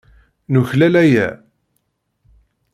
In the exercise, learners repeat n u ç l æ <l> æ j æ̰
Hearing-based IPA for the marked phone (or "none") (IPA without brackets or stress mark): l